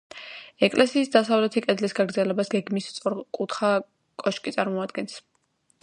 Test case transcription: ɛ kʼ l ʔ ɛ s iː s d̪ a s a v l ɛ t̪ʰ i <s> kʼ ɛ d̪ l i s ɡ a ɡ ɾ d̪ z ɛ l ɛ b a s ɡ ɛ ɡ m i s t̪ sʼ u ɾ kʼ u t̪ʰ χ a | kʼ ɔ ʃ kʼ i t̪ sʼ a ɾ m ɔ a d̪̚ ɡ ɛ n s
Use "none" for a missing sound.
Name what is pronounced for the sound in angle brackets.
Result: none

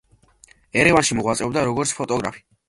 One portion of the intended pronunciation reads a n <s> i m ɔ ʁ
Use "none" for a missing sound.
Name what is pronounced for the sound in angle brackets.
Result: ʃ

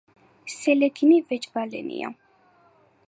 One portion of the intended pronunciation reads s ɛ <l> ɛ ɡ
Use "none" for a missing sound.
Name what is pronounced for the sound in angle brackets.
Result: l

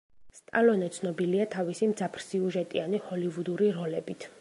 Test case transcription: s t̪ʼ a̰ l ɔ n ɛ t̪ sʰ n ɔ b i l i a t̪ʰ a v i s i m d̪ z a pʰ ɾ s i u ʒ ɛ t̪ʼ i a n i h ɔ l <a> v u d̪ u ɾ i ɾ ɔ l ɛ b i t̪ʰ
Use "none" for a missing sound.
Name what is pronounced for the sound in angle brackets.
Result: i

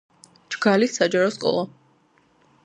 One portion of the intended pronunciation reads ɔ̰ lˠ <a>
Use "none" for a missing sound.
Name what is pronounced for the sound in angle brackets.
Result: a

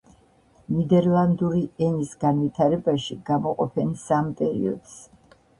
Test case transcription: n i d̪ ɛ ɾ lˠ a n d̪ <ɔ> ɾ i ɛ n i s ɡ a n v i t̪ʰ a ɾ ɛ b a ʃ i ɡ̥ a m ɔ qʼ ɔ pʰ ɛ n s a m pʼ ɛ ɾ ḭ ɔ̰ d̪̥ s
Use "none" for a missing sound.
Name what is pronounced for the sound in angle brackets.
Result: u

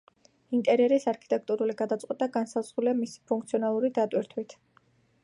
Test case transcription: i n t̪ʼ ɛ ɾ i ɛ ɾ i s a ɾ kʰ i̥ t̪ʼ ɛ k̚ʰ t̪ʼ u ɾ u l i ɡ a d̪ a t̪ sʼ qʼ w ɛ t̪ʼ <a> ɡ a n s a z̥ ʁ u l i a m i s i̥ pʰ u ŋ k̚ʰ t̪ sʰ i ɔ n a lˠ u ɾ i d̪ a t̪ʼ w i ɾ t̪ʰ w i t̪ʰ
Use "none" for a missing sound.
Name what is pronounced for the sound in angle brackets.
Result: a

